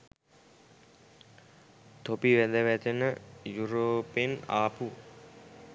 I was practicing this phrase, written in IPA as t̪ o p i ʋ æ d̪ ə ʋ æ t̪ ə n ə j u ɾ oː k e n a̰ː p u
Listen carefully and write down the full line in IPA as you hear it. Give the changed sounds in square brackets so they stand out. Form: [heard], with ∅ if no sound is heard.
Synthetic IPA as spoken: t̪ o p i ʋ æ d̪ ə ʋ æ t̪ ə n ə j u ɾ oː [p] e n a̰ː p u